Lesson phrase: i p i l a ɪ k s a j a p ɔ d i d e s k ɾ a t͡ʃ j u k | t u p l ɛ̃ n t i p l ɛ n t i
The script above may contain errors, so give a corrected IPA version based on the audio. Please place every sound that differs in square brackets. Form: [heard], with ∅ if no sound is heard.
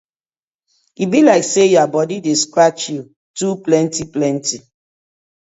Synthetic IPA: i [b] i l a ɪ k s [e] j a [b] ɔ d i d e s k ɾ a t͡ʃ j u [∅] | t u p l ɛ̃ n t i p l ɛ n t i